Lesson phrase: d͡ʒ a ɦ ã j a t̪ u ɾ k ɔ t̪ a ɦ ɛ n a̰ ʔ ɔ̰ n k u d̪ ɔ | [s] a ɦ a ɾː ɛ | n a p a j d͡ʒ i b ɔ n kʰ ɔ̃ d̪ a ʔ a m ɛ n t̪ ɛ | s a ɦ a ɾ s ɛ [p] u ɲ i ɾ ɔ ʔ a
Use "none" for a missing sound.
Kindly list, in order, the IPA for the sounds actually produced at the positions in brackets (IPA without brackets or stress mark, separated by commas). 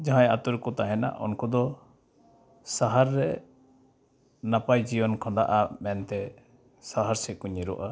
s, k